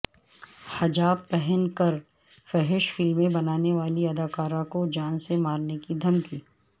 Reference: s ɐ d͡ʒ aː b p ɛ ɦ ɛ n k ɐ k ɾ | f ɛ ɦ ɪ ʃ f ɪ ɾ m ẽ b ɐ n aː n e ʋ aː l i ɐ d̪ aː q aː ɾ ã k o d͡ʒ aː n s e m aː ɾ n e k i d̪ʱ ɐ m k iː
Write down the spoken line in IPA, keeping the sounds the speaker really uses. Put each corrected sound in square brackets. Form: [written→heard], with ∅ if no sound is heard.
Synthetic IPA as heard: [s→h] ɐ d͡ʒ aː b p ɛ ɦ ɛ n k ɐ [k→∅] ɾ | f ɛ ɦ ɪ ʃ f ɪ [ɾ→l] m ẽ b ɐ n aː n e ʋ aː l i ɐ d̪ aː [q→k] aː ɾ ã k o d͡ʒ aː n s e m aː ɾ n e k i d̪ʱ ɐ m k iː